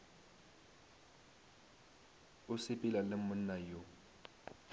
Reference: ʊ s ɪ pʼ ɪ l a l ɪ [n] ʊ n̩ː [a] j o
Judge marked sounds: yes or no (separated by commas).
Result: no, yes